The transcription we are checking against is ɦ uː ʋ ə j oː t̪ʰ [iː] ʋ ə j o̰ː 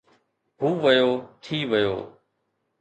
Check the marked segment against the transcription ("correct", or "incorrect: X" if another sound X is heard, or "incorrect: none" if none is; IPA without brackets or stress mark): correct